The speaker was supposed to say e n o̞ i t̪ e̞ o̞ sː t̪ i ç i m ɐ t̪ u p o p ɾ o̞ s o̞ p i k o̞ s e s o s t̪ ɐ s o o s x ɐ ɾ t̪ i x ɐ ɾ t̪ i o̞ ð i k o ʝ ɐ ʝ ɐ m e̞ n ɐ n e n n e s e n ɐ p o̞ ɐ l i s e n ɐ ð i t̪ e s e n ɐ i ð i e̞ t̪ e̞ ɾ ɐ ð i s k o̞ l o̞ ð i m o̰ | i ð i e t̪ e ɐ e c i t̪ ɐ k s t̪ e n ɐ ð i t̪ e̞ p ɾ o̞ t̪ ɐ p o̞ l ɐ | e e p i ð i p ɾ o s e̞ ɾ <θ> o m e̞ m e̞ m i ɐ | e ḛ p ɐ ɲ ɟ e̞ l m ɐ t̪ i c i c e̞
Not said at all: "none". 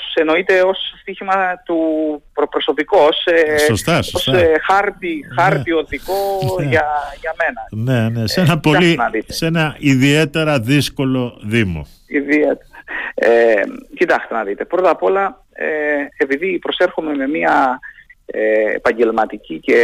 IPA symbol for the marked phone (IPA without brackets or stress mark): x